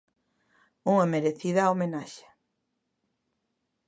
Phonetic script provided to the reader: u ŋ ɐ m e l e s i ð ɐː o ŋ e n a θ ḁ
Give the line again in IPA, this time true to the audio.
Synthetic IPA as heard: u ŋ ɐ m e ɾ e θ i ð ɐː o m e n a ʃ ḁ